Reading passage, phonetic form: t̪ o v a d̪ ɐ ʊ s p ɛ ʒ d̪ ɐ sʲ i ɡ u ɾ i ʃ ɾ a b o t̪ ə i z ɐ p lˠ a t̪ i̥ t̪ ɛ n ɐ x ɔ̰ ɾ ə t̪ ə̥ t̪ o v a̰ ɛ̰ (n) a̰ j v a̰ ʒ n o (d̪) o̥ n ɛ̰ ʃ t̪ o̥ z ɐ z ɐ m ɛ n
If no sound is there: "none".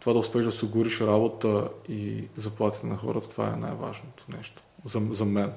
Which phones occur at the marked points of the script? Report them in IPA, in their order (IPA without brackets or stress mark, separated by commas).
n, t̪